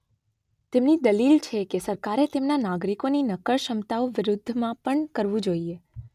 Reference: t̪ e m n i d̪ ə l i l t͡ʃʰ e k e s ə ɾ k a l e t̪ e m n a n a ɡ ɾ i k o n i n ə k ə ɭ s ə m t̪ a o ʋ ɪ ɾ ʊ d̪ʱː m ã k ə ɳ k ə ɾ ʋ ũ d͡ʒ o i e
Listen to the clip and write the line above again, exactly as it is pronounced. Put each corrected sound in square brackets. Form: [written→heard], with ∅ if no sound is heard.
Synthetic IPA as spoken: t̪ e m n i d̪ ə l i l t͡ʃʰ e k e s ə ɾ k a [l→ɾ] e t̪ e m n a n a ɡ ɾ i k o n i n ə k ə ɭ [s→ʃ] ə m t̪ a o ʋ ɪ ɾ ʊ d̪ʱː m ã [k→p] ə ɳ k ə ɾ ʋ ũ d͡ʒ o i e

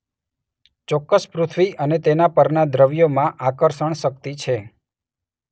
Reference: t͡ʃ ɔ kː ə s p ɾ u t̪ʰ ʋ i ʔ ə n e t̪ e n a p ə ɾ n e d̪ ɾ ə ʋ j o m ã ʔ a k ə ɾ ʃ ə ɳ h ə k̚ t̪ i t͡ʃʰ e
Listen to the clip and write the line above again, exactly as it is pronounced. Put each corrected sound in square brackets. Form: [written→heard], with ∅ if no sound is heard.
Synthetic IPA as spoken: t͡ʃ ɔ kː ə s p ɾ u t̪ʰ ʋ i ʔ ə n e t̪ e n a p ə ɾ n [e→a] d̪ ɾ ə ʋ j o m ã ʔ a k ə ɾ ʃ ə ɳ [h→ʃ] ə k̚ t̪ i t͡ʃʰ e

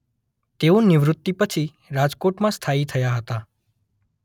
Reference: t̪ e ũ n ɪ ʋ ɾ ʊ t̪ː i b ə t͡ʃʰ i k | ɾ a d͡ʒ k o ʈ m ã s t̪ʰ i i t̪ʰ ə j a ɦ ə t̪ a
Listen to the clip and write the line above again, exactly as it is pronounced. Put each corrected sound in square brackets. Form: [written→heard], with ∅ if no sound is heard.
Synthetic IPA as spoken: t̪ e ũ n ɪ ʋ ɾ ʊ t̪ː i [b→p] ə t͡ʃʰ i [k→∅] | ɾ a d͡ʒ k o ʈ m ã s t̪ʰ [i→a] i t̪ʰ ə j a ɦ ə t̪ a

